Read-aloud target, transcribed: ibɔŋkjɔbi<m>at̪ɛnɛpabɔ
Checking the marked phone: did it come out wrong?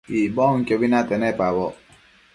yes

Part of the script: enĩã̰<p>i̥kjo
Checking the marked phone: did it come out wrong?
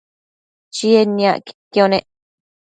yes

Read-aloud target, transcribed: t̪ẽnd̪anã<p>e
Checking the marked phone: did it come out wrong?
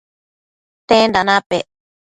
no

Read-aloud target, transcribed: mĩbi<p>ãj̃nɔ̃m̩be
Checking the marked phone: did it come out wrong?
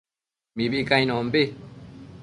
yes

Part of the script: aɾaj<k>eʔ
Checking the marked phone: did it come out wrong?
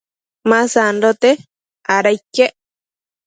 no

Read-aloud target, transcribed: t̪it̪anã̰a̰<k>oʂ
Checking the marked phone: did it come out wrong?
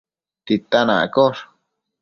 no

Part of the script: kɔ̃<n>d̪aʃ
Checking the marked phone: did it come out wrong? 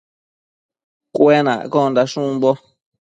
no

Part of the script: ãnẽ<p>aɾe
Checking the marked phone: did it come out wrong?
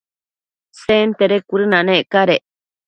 yes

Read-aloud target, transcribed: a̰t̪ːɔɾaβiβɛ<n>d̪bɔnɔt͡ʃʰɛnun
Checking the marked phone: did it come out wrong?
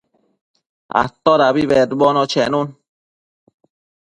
yes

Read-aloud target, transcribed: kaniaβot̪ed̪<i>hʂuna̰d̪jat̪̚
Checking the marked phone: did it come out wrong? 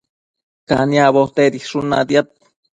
no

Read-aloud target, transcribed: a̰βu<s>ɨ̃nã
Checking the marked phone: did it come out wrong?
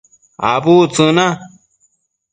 yes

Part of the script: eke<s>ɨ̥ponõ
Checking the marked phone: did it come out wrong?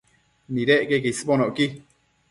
no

